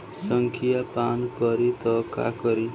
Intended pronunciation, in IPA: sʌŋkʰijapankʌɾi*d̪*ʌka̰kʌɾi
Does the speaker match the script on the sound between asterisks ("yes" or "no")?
no